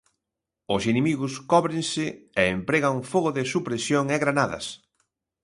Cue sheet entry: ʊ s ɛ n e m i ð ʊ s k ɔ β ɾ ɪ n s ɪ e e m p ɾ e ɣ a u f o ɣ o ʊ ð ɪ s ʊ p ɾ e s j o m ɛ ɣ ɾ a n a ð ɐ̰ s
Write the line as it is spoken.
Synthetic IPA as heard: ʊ s i n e m i ɣ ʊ s k ɔ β ɾ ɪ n s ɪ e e m p ɾ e ɣ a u f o ɣ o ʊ ð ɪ s u p ɾ e s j o ŋ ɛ ɣ ɾ a n a ð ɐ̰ s